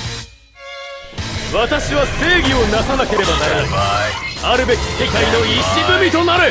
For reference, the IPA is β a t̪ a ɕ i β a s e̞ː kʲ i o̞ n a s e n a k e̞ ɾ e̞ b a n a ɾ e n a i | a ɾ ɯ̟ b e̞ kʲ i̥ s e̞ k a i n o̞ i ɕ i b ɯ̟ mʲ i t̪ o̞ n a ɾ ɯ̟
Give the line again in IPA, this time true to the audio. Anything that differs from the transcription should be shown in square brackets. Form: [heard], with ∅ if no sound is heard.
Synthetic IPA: β a t̪ a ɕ i β a s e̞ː [ɡʲ] i o̞ n a s [a] n a k e̞ ɾ e̞ b a n a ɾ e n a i | a ɾ ɯ̟ b e̞ kʲ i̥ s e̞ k a i n o̞ i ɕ i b ɯ̟ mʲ i t̪ o̞ n a ɾ ɯ̟

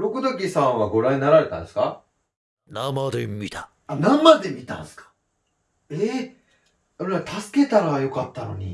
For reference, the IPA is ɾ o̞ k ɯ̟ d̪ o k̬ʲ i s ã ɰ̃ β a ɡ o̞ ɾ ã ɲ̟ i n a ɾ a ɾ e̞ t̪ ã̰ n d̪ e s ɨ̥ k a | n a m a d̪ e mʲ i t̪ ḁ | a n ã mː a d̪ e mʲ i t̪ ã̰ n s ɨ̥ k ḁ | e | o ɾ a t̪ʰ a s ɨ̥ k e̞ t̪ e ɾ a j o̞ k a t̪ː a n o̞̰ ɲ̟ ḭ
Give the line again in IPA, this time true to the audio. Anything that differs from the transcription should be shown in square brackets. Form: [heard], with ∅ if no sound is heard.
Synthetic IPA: ɾ o̞ k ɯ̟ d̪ o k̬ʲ i s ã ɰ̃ β a ɡ o̞ ɾ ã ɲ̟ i n a ɾ a ɾ e̞ t̪ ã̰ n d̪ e s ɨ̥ k a | n a m a d̪ e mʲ i t̪ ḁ | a n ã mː a d̪ e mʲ i t̪ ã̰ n s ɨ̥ k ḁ | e | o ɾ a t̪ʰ a s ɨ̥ k e̞ t̪ [a] ɾ a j o̞ k a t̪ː a n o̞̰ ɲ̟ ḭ

